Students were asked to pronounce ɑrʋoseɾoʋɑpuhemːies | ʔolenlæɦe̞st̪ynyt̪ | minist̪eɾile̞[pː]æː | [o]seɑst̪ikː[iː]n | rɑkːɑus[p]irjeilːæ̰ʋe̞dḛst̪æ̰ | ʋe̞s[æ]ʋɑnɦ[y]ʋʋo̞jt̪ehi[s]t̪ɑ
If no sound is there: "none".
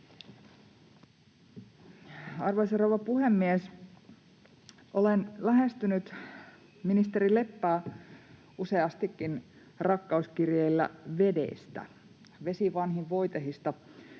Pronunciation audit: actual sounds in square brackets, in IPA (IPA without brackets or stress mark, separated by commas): pː, u, i, k, i, i, s